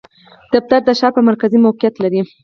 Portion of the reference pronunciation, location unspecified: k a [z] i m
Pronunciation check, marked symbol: correct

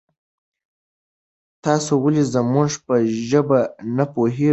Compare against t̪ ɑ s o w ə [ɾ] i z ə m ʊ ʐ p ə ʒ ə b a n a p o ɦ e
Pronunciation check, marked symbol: incorrect: l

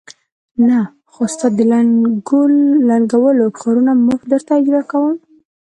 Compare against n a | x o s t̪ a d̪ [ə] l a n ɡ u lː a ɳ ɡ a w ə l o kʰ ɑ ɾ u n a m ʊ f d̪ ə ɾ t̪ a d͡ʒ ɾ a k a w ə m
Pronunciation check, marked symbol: correct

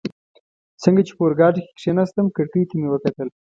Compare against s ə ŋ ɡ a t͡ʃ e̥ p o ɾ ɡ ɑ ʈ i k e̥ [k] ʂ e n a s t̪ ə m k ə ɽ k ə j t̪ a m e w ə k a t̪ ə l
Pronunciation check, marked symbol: correct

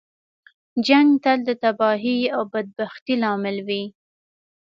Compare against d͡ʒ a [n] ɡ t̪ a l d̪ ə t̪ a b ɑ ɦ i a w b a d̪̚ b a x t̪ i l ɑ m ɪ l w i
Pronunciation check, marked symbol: incorrect: ŋ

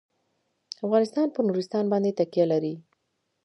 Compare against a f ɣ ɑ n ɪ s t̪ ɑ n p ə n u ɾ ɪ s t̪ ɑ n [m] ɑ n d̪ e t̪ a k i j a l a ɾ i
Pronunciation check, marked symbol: incorrect: b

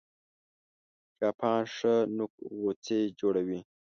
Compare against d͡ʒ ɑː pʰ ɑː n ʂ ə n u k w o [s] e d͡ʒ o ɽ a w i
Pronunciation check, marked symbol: incorrect: t͡s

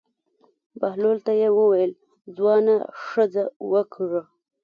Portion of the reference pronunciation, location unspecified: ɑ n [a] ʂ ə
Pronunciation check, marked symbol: correct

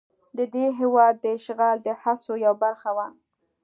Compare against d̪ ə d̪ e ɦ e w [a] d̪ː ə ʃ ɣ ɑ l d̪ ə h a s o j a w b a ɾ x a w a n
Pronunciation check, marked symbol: incorrect: ɑ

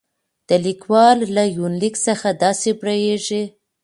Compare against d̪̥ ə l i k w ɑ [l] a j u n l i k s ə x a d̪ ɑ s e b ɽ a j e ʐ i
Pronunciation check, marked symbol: incorrect: lː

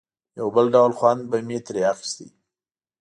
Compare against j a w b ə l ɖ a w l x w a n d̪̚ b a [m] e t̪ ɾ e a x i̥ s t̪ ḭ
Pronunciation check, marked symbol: correct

